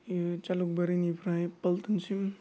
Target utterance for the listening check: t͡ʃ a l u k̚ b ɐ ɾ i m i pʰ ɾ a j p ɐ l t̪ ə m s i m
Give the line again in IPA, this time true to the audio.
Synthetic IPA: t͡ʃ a l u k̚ b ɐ ɾ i n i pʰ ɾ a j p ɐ l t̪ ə n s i m